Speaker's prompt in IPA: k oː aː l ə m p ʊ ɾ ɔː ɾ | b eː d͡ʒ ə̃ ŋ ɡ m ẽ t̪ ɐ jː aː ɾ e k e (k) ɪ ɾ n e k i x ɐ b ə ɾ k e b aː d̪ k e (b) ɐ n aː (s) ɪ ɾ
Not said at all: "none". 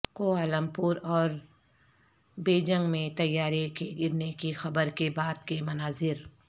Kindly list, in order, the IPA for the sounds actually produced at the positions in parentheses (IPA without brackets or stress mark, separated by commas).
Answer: ɡ, m, z